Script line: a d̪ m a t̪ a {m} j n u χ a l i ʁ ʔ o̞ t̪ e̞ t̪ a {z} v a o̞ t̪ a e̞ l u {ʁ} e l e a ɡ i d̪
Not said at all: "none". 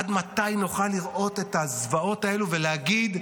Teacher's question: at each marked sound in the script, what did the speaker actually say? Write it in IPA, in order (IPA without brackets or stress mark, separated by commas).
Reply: none, z, v